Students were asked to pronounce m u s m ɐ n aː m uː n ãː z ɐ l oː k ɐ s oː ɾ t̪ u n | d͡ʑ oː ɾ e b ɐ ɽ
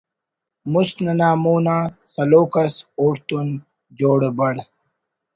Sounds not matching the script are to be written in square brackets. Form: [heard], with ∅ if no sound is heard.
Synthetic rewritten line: m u s [n] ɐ n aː m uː n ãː [s] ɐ l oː k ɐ s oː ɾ t̪ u n | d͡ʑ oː [ɽ] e b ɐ ɽ